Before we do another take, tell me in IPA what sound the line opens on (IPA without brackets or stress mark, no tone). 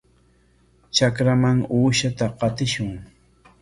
t͡ʃ